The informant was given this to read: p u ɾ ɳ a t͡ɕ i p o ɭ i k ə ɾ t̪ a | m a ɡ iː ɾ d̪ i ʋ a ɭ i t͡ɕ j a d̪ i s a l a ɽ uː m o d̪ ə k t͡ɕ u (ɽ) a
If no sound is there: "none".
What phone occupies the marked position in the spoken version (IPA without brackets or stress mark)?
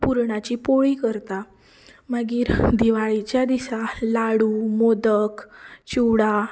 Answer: ɽ